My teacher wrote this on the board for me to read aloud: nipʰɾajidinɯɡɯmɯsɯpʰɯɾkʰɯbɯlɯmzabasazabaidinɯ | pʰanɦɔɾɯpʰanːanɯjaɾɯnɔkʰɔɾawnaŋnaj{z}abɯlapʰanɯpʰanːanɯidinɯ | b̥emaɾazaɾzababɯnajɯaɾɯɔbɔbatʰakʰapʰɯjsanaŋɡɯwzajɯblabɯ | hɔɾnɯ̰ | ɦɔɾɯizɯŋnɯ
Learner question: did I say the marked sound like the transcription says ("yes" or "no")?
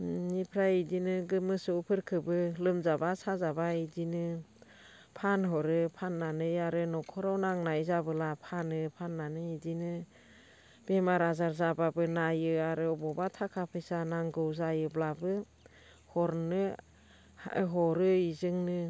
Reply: yes